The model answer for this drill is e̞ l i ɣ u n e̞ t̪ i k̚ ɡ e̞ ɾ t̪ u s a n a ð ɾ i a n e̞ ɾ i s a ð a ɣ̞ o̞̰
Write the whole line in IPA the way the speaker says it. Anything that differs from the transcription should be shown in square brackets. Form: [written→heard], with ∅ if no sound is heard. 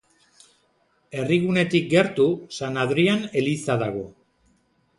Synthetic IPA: e̞ [l→r] i ɣ u n e̞ t̪ i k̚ ɡ e̞ ɾ t̪ u s a n a ð ɾ i a n e̞ [ɾ→l] i s a ð a ɣ̞ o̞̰